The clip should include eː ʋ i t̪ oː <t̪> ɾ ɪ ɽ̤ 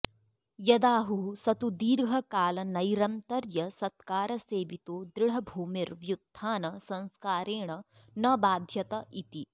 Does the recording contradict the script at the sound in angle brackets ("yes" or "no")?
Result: yes